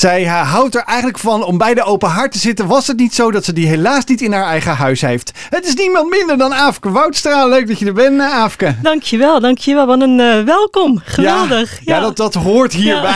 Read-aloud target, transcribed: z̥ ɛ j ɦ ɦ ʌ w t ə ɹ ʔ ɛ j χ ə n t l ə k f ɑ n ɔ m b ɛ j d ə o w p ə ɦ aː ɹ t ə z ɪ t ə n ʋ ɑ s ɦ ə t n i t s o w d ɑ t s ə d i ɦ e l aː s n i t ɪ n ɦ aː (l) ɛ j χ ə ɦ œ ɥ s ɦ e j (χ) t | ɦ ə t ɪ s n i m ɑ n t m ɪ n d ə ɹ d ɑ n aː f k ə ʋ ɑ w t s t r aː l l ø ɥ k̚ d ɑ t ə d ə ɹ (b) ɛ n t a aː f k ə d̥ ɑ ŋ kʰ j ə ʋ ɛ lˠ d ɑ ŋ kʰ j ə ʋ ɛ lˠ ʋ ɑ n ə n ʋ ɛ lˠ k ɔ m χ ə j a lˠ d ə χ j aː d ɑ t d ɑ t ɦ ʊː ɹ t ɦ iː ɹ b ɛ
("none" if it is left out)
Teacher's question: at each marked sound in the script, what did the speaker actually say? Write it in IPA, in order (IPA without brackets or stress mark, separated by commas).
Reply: ɹ, f, b